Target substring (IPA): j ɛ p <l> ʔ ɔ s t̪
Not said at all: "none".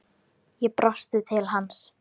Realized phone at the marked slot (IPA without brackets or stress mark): ɾ